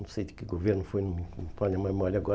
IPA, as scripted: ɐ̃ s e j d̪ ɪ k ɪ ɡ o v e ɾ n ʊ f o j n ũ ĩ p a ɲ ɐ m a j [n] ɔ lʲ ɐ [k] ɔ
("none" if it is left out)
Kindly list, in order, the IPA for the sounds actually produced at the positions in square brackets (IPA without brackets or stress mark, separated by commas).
m, ɡ